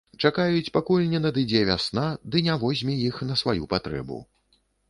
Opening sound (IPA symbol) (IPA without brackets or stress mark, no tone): t͡ʂ